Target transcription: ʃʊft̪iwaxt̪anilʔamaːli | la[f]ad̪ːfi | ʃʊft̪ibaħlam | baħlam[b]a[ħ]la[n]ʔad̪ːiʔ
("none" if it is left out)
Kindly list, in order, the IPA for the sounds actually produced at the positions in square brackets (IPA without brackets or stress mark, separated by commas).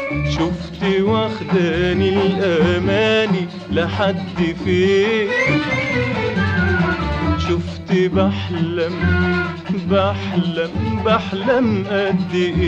ħ, b, ħ, m